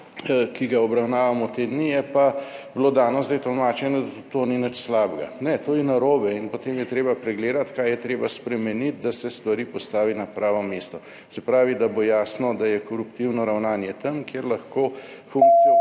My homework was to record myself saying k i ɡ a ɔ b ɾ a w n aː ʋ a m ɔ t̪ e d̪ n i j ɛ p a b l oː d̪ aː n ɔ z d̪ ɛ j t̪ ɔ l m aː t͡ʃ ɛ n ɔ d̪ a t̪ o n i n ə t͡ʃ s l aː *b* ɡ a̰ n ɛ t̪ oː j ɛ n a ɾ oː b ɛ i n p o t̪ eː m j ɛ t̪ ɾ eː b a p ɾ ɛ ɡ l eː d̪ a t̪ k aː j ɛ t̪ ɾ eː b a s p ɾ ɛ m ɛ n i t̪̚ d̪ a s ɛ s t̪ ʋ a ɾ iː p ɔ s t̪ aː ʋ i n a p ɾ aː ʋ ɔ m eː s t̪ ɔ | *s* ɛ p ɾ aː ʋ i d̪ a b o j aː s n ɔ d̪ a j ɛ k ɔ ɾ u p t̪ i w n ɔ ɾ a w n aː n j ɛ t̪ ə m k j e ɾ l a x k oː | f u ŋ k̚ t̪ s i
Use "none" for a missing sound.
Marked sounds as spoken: b, s

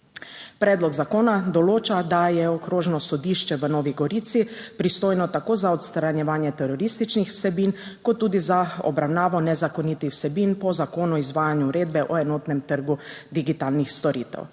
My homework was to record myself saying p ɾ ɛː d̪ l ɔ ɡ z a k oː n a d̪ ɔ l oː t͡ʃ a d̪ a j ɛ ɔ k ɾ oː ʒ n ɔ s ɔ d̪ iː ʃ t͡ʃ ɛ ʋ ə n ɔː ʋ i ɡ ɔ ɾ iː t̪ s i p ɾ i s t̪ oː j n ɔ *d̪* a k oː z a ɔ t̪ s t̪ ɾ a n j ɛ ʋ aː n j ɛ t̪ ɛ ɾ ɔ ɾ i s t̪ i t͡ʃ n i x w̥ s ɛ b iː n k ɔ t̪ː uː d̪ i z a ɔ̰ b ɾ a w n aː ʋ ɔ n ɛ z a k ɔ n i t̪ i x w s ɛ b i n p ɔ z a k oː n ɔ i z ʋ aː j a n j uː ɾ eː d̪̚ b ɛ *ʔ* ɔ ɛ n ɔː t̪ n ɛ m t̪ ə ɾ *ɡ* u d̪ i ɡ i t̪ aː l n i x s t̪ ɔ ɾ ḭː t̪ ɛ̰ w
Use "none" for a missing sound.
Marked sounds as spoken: t̪, ʔ, ɡ

